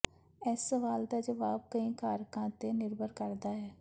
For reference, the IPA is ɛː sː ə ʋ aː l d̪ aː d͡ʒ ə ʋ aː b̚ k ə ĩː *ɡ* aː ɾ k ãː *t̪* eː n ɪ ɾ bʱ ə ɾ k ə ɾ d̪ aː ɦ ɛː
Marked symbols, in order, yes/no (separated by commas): no, yes